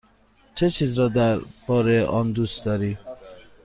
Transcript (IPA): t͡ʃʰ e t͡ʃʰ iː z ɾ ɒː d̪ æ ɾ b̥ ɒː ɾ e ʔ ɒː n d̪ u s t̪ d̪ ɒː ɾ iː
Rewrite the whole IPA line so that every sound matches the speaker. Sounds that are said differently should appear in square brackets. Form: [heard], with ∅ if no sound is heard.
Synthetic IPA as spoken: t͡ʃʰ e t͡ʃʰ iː z ɾ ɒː d̪ æ ɾ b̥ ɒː ɾ e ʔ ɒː n d̪ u s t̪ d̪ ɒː ɾ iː